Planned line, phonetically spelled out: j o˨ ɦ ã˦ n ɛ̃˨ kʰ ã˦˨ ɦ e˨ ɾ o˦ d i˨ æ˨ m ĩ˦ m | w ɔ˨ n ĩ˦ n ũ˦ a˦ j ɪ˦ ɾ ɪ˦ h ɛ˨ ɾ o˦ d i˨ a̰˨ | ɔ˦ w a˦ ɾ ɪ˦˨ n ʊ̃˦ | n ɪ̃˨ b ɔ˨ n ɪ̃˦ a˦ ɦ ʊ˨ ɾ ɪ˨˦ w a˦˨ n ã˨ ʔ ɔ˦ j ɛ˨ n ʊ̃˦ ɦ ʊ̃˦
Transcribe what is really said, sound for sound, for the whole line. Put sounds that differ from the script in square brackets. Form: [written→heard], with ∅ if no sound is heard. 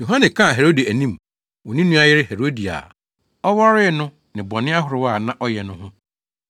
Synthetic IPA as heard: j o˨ ɦ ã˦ n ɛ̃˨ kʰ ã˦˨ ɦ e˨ ɾ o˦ d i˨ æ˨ [m→n] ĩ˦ m | w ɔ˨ n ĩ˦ n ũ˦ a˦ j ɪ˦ ɾ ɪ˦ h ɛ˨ ɾ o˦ d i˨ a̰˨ | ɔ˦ w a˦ ɾ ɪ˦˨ n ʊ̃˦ | n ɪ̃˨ b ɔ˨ n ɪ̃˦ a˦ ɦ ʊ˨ ɾ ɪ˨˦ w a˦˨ n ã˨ ʔ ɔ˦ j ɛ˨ n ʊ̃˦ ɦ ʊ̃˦